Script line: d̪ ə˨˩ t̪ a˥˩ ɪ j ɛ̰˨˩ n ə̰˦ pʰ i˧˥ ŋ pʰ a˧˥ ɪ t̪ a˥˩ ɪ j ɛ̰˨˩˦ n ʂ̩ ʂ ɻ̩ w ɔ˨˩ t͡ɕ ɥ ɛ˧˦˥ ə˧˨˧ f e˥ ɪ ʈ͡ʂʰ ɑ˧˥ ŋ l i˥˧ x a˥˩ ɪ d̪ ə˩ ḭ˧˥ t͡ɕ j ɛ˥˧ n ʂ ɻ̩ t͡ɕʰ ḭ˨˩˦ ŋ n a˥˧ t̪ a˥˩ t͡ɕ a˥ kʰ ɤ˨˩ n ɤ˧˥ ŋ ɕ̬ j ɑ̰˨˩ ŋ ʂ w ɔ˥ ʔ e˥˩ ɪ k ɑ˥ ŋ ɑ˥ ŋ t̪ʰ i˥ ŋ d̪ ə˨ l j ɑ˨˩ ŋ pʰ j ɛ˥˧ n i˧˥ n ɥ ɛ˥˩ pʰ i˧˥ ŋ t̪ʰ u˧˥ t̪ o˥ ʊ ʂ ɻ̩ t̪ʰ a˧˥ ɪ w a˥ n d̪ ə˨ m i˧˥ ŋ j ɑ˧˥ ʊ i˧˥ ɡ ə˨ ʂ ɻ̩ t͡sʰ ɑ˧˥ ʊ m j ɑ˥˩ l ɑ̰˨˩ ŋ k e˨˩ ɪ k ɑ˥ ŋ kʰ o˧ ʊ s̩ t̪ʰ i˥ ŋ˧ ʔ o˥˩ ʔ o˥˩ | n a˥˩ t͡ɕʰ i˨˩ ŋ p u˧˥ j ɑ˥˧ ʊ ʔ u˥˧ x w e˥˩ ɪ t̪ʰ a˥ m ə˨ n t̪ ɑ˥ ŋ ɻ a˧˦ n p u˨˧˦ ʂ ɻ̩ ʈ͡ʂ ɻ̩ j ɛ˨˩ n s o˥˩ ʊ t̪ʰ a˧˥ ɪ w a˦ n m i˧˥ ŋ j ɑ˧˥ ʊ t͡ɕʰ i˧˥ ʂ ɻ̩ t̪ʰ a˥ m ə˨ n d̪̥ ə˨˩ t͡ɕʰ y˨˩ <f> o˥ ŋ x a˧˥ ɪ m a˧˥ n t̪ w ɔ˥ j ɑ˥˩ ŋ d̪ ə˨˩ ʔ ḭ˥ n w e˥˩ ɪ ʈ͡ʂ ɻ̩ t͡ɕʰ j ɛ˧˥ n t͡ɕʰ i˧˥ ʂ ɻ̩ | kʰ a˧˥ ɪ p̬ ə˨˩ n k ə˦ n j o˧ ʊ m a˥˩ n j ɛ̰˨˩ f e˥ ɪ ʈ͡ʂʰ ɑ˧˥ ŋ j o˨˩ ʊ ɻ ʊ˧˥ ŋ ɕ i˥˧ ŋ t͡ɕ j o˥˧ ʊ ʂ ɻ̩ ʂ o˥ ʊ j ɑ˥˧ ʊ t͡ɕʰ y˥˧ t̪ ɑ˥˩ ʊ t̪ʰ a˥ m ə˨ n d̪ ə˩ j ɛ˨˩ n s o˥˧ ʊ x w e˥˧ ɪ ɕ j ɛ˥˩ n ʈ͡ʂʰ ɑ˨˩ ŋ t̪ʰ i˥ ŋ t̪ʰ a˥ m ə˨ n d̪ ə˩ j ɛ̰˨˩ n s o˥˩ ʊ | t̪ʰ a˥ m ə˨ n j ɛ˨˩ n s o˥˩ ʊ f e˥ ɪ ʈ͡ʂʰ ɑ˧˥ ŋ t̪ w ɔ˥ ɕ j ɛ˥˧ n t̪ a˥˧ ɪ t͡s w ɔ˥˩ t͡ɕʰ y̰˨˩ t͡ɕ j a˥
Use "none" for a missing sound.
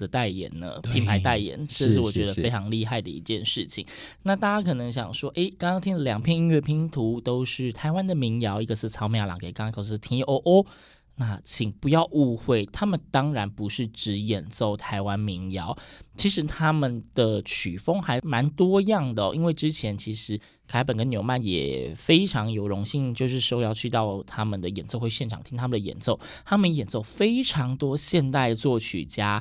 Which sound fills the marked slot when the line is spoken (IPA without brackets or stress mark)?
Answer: f